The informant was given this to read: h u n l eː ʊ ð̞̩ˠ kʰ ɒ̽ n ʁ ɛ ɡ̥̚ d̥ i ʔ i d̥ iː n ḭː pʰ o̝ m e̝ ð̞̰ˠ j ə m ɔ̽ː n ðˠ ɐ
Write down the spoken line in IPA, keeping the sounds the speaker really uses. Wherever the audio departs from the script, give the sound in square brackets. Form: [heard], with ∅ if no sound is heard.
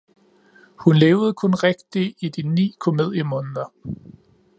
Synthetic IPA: h u n l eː ʊ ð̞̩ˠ kʰ [ɔ̽] n ʁ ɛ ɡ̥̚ d̥ i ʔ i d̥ [i] n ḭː [kʰ] o̝ m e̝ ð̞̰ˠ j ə m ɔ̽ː n ðˠ ɐ